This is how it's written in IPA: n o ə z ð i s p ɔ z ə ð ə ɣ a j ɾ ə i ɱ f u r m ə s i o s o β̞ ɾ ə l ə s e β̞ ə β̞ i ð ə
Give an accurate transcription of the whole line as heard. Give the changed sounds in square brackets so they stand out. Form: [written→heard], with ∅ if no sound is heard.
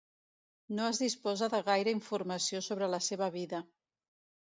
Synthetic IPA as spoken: n o ə z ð i s p ɔ z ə ð ə ɣ a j ɾ ə i ɱ f u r m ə s i o s o β̞ ɾ ə l ə s e β̞ ə β̞ i ð ə